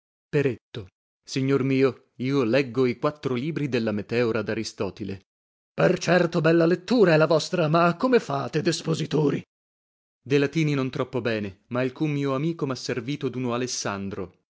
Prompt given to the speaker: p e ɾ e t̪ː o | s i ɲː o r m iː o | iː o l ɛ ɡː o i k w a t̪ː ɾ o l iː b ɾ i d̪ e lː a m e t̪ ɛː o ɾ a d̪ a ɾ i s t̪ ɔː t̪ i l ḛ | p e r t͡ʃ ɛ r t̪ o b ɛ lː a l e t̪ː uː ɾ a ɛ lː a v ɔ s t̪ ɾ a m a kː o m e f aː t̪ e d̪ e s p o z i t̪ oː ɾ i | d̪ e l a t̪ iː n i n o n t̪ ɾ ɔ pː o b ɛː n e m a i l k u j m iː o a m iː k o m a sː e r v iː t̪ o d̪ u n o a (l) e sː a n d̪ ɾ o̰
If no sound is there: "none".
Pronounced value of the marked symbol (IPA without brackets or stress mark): l